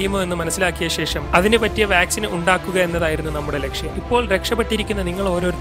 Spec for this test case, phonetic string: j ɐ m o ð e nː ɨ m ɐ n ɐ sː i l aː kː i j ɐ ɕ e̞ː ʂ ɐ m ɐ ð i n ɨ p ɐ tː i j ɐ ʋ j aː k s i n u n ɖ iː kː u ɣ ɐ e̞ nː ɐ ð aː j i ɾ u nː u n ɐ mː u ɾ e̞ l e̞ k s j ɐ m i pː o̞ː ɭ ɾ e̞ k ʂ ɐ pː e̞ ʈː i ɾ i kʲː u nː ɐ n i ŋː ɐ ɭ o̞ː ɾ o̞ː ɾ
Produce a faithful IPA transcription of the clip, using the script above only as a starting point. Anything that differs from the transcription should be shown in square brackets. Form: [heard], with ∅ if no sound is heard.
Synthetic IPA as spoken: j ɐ m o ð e nː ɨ m ɐ n ɐ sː i l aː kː i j ɐ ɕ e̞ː ʂ ɐ m ɐ ð i n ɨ p ɐ tː i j ɐ ʋ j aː k s i n u [ɳ] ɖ [aː] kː u ɣ ɐ e̞ nː ɐ ð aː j i ɾ u nː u n ɐ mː u [ɽ] e̞ l e̞ k [ʂ] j ɐ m i pː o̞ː ɭ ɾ e̞ k ʂ ɐ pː e̞ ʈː i ɾ i kʲː u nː ɐ n i ŋː ɐ ɭ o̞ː ɾ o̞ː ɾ

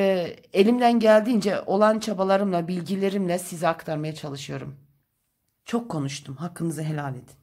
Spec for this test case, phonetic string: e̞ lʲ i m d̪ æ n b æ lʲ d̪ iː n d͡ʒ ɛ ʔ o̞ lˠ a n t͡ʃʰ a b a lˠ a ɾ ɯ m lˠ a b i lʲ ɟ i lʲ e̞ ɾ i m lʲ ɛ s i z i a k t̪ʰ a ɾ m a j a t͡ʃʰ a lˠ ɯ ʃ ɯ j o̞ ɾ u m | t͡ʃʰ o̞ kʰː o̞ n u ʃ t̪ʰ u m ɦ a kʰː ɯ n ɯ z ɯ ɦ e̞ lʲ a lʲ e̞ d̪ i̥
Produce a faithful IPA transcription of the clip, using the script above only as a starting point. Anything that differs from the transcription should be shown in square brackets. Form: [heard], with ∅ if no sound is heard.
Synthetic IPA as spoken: e̞ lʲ i m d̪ æ n [ɟ] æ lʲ d̪ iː n d͡ʒ ɛ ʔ o̞ lˠ a n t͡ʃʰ a b a lˠ a ɾ ɯ m lˠ a b i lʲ ɟ i lʲ e̞ ɾ i m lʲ ɛ s i z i a k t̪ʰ a ɾ m a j a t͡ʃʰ a lˠ ɯ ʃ ɯ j o̞ ɾ u m | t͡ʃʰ o̞ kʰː o̞ n u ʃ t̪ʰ u m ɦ a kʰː ɯ n ɯ z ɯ ɦ e̞ lʲ a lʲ e̞ d̪ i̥

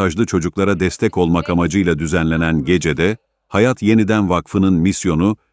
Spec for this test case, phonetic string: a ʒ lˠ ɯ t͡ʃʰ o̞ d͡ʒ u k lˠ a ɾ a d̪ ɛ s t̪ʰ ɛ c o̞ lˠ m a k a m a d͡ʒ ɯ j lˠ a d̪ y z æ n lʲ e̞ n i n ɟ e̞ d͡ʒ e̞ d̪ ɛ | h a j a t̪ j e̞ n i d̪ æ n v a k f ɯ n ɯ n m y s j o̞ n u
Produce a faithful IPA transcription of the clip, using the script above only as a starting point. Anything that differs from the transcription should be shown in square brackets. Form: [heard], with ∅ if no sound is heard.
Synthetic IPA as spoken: a ʒ lˠ ɯ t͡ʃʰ o̞ d͡ʒ u k lˠ a ɾ a d̪ ɛ s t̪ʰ ɛ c o̞ lˠ m a k a m a d͡ʒ ɯ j lˠ a d̪ y z æ n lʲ e̞ n [æ] n ɟ e̞ d͡ʒ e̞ d̪ ɛ | h a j a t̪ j e̞ n i d̪ æ n v a k f ɯ n ɯ n m [i] s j o̞ n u

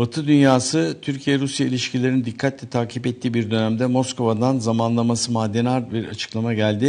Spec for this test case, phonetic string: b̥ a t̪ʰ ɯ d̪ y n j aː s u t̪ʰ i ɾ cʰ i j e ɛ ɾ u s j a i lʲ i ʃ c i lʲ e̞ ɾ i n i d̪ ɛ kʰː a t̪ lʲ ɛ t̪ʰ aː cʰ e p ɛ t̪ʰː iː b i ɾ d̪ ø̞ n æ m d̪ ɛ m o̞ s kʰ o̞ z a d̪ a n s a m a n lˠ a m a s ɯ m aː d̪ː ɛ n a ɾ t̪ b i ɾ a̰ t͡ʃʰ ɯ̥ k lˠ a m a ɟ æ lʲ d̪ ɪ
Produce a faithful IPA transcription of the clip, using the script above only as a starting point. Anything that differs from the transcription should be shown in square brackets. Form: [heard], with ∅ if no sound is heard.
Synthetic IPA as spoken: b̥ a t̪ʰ ɯ d̪ y n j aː s [ɯ] t̪ʰ [y] ɾ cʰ i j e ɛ ɾ u s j a i lʲ i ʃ c i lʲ e̞ ɾ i n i d̪ [i] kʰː a t̪ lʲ ɛ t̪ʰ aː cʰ [i] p ɛ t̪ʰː iː b i ɾ d̪ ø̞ n æ m d̪ ɛ m o̞ s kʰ o̞ [v] a d̪ a n [z] a m a n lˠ a m a s ɯ m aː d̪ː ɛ n a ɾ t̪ b i ɾ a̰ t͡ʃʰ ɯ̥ k lˠ a m a ɟ æ lʲ d̪ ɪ

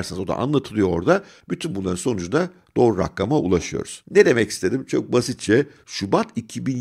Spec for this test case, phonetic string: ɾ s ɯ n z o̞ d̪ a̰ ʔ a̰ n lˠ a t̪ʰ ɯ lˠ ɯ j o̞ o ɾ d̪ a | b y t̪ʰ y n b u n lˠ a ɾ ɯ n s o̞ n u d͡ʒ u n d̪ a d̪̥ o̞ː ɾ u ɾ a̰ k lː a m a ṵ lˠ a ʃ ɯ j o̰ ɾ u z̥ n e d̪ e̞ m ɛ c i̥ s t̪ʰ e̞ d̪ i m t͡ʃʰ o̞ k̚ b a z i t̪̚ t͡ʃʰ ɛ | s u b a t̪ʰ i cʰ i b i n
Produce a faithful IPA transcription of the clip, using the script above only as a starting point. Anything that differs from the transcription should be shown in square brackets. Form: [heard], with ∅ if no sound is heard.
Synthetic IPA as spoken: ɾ s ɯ n z o̞ d̪ a̰ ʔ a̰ n lˠ a t̪ʰ ɯ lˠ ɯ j o̞ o ɾ d̪ a | b y t̪ʰ y n b u n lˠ a ɾ ɯ n s o̞ n u d͡ʒ u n d̪ a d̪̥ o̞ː ɾ u ɾ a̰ k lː a m a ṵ lˠ a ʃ ɯ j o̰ ɾ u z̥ n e d̪ e̞ m ɛ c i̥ s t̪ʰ e̞ d̪ i m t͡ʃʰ o̞ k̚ b a [s] i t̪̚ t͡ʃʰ ɛ | [ʃ] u b a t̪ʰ i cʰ i b i n

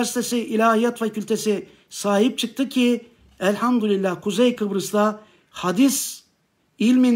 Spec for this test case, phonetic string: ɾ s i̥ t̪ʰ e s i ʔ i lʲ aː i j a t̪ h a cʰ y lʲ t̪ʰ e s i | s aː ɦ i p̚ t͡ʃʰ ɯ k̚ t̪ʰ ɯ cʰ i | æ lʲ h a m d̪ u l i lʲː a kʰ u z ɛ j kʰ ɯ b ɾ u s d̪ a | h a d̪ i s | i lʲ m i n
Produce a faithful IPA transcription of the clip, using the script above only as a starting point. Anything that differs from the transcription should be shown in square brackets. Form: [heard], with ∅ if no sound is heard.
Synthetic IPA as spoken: ɾ s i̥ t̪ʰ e s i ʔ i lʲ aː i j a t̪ [f] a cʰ y lʲ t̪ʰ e s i | s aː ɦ i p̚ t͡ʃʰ ɯ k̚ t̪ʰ ɯ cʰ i | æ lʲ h a m d̪ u l i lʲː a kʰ u z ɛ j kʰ ɯ b ɾ [ɯ] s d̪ a | h a d̪ i s | i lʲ m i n

